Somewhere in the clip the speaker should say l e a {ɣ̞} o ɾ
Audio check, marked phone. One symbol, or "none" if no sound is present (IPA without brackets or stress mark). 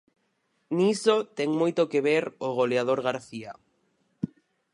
ð̞